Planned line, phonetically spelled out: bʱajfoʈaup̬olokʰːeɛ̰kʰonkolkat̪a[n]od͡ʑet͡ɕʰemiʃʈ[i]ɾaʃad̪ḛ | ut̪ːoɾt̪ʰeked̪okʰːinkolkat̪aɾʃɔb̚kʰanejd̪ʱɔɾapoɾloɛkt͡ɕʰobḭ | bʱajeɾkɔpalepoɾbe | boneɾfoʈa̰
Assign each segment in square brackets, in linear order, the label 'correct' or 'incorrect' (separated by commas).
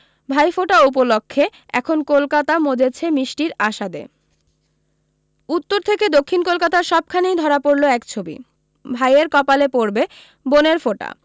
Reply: incorrect, correct